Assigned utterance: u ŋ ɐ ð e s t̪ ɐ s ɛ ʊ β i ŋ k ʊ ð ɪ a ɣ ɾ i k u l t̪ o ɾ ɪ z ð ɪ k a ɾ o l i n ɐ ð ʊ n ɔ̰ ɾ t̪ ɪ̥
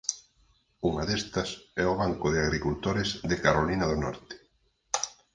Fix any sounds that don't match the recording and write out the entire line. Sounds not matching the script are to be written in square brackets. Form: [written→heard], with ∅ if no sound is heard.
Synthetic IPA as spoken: u ŋ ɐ ð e s t̪ ɐ s ɛ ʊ β [i→a] ŋ k ʊ ð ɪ a ɣ ɾ i k u l t̪ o ɾ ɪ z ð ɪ k a ɾ o l i n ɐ ð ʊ n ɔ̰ ɾ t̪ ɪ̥